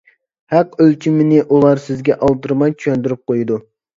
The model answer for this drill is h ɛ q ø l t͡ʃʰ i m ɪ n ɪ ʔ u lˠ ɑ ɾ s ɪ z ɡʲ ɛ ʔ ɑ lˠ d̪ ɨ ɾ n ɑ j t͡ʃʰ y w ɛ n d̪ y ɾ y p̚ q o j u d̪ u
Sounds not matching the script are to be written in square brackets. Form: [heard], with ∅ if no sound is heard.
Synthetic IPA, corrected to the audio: h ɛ q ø l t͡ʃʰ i m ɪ n ɪ ʔ u lˠ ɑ ɾ s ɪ z ɡʲ ɛ ʔ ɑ lˠ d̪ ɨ ɾ [m] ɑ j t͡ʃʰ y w ɛ n d̪ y ɾ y p̚ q o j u d̪ u